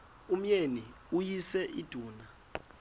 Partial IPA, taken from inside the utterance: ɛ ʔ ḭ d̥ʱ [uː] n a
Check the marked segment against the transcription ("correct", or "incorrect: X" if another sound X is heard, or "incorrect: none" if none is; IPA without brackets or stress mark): correct